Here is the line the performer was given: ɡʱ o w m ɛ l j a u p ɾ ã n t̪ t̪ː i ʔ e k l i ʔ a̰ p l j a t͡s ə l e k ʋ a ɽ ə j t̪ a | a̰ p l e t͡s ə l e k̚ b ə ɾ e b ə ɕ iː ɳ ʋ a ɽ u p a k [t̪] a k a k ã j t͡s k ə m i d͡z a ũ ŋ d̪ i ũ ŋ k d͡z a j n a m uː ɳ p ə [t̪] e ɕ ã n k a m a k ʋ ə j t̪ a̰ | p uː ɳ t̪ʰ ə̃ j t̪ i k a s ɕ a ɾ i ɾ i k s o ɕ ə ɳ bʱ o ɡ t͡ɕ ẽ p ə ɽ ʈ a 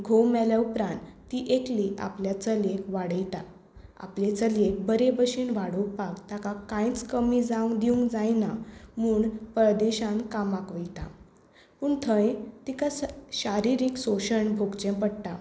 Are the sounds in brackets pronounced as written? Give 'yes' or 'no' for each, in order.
yes, no

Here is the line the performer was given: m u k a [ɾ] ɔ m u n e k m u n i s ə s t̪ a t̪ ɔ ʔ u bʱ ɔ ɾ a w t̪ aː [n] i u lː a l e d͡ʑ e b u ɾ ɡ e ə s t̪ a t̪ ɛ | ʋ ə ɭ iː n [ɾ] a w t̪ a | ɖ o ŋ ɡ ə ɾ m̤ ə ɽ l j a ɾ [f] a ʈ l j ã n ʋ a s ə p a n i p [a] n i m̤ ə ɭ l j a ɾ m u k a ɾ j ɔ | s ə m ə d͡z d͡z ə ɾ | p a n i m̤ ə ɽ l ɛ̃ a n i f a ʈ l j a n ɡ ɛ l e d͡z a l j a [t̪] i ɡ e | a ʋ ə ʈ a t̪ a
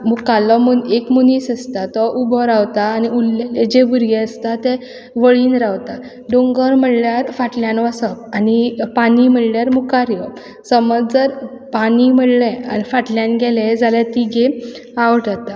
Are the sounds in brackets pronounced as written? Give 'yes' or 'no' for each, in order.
no, yes, yes, yes, yes, yes

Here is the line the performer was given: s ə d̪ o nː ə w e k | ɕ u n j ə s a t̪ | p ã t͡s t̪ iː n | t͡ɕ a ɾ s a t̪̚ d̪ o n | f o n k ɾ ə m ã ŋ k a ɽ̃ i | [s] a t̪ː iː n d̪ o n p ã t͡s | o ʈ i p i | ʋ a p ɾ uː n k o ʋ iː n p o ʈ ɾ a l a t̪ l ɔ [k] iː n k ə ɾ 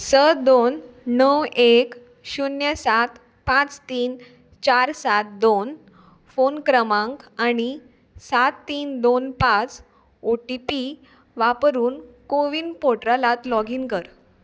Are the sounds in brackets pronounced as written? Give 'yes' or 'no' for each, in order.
yes, no

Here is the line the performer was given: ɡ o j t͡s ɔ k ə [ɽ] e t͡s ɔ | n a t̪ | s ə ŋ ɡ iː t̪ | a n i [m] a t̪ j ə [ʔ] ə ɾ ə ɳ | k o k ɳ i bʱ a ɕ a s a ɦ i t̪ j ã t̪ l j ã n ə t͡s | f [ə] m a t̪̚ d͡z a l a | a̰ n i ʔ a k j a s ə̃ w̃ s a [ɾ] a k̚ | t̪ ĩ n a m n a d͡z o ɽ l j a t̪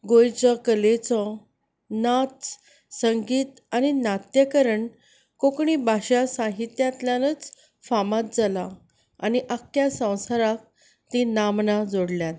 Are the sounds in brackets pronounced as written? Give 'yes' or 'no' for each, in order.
no, no, no, no, yes

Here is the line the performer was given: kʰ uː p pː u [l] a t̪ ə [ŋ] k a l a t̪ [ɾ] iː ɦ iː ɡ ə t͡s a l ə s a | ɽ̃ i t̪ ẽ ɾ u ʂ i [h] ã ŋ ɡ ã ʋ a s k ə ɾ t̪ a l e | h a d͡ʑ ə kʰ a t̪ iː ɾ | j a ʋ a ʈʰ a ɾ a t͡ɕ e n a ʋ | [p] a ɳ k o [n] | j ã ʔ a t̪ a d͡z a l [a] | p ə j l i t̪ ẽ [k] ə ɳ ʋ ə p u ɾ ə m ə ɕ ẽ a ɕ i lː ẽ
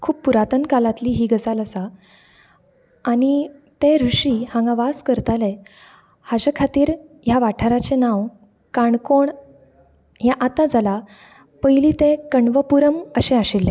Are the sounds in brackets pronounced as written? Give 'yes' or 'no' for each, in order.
no, no, no, yes, no, no, yes, yes

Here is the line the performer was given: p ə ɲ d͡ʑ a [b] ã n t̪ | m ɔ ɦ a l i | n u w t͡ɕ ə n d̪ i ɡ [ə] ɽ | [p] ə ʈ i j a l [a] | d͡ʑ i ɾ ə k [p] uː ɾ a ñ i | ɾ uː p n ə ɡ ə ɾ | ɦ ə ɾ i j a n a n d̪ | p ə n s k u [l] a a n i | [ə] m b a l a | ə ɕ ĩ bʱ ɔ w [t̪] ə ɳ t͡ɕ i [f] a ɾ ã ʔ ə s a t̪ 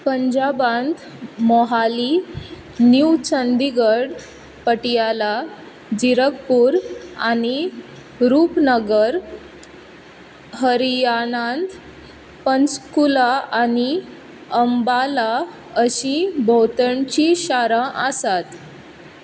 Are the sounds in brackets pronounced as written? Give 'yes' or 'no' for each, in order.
yes, yes, yes, yes, yes, yes, yes, yes, no

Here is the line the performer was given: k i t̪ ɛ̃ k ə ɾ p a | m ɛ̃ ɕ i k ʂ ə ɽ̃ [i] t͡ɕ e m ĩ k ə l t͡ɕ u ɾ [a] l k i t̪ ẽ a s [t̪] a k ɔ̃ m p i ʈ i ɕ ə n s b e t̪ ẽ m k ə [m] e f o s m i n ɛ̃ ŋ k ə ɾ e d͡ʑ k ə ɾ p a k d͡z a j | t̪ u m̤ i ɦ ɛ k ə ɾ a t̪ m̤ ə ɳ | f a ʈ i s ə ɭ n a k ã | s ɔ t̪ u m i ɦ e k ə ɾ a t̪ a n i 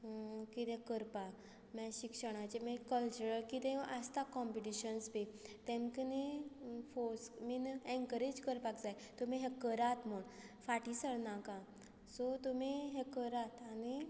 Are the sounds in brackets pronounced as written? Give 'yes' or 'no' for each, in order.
no, no, yes, no

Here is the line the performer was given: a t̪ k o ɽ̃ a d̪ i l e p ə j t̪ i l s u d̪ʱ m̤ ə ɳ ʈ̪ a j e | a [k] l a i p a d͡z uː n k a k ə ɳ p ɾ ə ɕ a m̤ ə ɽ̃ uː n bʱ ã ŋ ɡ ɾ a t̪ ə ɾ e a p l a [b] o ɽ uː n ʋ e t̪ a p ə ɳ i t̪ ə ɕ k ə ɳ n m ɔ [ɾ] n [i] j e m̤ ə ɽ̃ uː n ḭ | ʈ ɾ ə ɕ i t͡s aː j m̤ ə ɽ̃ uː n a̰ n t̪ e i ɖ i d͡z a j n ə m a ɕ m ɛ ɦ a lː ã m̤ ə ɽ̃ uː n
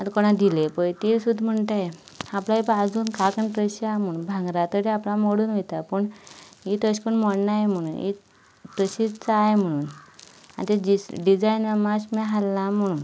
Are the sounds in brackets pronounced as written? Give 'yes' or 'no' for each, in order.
no, no, no, no

